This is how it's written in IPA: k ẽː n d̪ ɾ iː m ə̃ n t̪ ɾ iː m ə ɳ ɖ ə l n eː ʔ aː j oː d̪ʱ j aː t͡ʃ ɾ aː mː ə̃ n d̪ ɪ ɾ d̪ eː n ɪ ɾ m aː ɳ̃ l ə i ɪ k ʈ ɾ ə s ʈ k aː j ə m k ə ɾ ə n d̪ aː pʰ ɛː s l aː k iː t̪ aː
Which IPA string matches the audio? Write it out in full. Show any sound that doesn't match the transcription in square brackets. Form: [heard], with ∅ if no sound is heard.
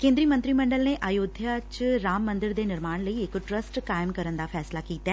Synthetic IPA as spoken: k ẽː n d̪ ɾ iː m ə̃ n t̪ ɾ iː m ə ɳ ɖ ə l n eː ʔ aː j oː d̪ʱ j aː t͡ʃ ɾ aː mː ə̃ n d̪ ɪ ɾ d̪ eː n ɪ ɾ m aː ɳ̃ l ə i ɪ k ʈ ɾ ə s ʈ k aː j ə m k ə ɾ ə n d̪ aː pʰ ɛː s l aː k iː t̪ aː